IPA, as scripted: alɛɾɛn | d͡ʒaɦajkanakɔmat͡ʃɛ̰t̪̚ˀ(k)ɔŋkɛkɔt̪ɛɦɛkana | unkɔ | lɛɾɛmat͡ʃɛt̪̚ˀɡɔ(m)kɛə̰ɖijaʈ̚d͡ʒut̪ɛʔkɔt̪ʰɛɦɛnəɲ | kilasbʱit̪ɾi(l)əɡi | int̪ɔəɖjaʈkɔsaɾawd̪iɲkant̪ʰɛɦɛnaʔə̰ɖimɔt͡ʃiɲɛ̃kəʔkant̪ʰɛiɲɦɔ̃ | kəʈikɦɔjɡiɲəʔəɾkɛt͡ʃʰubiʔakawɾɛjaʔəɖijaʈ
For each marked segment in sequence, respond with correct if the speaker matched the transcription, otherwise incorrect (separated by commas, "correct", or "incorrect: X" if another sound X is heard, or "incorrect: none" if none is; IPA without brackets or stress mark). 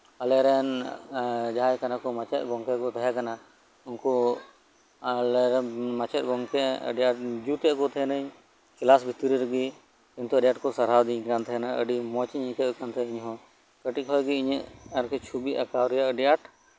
incorrect: ɡ, incorrect: ŋ, incorrect: ɾ